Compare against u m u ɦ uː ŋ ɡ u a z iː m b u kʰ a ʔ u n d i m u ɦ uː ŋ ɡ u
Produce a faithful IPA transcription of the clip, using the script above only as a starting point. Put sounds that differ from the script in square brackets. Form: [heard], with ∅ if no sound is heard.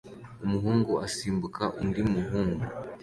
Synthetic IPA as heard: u m u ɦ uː ŋ ɡ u a [s] iː m b u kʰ a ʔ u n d i m u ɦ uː ŋ ɡ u